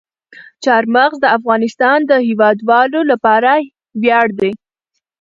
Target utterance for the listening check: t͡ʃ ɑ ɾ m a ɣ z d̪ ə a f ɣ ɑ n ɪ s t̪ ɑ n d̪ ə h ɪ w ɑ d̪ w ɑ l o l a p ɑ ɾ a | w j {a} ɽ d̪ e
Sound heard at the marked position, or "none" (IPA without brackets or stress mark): ɑ